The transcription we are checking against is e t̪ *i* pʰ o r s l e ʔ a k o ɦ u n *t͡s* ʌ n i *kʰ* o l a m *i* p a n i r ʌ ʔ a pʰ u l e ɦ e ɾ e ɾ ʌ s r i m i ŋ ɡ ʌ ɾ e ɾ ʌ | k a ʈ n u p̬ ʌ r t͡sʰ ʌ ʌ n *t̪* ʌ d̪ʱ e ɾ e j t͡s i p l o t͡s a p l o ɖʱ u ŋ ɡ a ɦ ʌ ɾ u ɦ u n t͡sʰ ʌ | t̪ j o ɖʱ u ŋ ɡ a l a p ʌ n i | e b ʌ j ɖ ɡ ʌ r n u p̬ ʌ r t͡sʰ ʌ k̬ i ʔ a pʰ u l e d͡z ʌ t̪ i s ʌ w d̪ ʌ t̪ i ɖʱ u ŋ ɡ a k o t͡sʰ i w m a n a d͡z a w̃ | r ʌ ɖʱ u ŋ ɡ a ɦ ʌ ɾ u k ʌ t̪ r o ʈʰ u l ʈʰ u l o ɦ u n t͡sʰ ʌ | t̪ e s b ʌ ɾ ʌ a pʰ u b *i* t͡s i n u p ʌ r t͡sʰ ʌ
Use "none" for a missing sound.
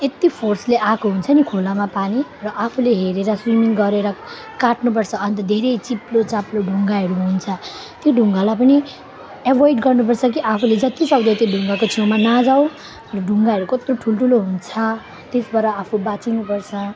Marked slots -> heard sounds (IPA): i, t͡sʰ, kʰ, a, t̪, a

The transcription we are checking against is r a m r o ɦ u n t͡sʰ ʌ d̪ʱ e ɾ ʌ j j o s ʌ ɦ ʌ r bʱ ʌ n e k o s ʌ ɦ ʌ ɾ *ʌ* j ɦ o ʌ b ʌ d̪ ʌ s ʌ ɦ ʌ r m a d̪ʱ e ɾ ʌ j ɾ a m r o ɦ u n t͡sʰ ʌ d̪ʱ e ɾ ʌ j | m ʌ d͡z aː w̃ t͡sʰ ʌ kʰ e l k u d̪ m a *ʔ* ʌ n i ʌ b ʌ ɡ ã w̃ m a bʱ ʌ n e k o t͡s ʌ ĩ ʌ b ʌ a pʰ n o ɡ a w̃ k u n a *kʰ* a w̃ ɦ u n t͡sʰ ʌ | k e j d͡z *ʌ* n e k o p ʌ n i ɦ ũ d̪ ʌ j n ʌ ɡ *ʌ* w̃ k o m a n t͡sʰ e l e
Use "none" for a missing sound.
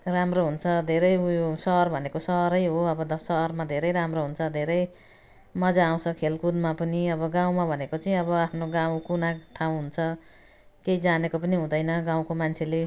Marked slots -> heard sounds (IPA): ʌ, p, ʈʰ, a, a

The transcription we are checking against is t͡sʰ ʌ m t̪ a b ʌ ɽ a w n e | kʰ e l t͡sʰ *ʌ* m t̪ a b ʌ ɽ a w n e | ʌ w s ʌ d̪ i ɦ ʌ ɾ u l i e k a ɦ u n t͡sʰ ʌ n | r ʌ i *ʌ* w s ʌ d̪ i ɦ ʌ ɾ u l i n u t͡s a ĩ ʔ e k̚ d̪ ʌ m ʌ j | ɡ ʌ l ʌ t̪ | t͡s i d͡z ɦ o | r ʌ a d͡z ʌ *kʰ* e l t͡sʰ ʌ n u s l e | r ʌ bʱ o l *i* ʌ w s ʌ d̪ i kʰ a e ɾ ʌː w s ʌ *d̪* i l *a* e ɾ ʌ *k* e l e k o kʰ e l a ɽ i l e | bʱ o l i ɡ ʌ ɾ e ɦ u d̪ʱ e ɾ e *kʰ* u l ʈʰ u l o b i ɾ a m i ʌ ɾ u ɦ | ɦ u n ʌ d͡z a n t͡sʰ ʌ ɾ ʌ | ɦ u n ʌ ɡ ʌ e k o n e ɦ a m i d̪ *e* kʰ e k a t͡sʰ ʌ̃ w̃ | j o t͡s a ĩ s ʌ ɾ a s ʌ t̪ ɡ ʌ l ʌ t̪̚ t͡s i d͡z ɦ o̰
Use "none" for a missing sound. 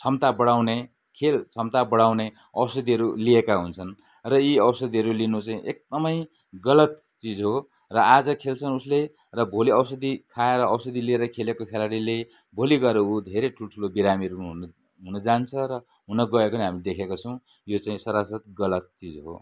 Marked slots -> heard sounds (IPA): ʌ, ʌ, kʰ, i, d̪, i, kʰ, ʈʰ, e

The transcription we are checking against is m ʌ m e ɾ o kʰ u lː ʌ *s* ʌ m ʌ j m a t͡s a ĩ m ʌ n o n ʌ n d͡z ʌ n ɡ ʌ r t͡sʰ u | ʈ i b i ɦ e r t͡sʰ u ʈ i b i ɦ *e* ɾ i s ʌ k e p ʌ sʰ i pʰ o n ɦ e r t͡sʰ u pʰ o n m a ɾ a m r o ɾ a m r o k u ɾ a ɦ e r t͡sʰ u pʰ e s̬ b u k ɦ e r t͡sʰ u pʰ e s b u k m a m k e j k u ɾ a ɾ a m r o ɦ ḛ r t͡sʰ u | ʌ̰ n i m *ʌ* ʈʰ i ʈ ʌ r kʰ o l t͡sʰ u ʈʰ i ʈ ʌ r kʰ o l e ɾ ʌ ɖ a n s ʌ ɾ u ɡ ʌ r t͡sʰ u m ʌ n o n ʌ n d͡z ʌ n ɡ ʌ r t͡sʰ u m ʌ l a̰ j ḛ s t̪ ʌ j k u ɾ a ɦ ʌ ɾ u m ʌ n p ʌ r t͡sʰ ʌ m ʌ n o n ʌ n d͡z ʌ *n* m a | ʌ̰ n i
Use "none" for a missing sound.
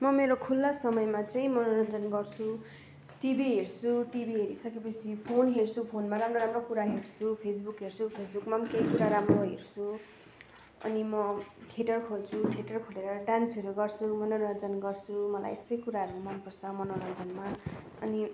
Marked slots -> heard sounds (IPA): s, e, ʌ, n

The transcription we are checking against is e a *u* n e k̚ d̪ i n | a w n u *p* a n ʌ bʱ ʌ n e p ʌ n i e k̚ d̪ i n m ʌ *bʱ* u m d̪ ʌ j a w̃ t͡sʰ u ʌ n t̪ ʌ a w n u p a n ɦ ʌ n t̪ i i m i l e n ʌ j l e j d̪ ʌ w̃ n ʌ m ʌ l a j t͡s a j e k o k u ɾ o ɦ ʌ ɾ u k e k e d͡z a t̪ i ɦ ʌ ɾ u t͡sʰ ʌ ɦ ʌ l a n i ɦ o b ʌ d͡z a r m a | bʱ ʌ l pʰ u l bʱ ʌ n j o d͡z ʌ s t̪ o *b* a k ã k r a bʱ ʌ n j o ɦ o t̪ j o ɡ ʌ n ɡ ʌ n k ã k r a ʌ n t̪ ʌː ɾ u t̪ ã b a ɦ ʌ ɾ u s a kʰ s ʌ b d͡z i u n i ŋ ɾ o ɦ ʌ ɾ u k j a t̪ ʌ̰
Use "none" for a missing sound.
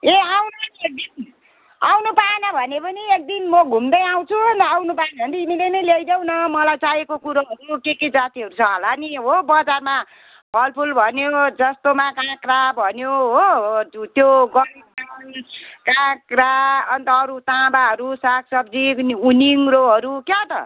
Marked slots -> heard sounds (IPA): w, p, ɡʱ, m

